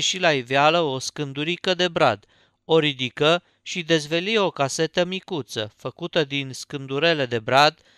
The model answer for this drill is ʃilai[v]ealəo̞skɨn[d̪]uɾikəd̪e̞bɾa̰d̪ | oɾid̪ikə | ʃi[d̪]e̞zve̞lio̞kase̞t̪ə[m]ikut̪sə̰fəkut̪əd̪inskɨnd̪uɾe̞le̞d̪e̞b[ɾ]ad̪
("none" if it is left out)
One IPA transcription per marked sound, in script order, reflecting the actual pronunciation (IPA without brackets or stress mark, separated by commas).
v, d̪, d̪, m, ɾ